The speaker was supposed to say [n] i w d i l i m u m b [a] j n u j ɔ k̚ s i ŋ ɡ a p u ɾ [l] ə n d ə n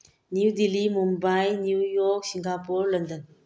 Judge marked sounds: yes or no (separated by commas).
yes, yes, yes